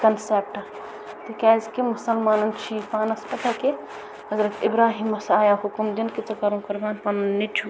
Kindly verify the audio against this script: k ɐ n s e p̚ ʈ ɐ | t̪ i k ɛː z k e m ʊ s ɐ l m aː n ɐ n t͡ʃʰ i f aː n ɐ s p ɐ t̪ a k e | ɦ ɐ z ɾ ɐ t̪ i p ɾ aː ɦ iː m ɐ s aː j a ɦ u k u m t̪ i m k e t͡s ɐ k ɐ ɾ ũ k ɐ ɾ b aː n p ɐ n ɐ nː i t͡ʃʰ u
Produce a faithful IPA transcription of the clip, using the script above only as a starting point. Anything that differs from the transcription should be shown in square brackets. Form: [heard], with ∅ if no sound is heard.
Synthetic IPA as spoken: k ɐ n s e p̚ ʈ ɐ | t̪ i k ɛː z k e m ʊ s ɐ l m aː n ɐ n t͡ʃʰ i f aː n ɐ s p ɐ t̪ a k e | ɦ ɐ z ɾ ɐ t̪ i [b] ɾ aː ɦ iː m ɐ s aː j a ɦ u k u m [d̪] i [n] k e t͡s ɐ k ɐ ɾ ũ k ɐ ɾ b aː n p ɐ n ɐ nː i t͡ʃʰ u